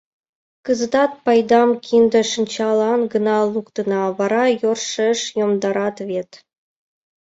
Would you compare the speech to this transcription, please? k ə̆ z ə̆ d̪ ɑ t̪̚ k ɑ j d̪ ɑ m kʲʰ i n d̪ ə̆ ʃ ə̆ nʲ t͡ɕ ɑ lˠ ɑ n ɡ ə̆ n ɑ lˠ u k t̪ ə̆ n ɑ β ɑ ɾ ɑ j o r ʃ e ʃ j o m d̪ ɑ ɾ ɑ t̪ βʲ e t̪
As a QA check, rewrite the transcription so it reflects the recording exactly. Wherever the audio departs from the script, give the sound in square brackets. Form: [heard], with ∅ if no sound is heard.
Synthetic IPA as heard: k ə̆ z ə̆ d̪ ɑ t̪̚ [p] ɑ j d̪ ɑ m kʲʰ i n d̪ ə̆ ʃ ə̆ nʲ t͡ɕ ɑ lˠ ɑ n ɡ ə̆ n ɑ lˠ u k t̪ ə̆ n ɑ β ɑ ɾ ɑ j o r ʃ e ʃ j o m d̪ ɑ ɾ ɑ t̪ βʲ e t̪